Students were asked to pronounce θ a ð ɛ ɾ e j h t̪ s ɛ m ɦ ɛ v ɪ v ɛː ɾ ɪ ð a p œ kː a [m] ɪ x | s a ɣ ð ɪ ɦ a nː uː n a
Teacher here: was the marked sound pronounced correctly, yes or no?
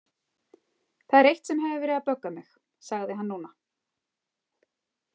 yes